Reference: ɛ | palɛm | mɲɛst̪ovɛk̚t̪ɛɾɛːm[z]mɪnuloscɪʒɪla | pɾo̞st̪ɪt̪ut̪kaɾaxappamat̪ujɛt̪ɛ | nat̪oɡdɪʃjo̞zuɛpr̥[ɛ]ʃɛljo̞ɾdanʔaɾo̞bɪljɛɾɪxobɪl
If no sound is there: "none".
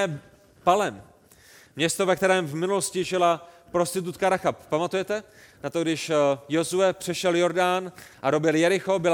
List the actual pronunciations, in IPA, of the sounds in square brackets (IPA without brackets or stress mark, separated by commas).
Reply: v, ɛ